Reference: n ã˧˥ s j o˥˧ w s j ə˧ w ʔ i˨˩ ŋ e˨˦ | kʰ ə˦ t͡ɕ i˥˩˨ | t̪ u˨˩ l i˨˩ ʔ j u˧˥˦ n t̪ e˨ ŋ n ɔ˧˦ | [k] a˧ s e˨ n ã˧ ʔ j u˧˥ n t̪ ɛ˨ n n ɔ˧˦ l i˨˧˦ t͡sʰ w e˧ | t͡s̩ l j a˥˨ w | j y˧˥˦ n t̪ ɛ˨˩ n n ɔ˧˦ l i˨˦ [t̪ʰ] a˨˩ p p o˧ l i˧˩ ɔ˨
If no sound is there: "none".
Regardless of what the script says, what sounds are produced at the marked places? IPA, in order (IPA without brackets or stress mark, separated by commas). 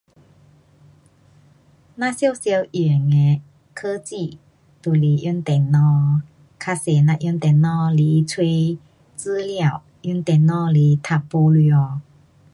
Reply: kʰ, t̪ʰ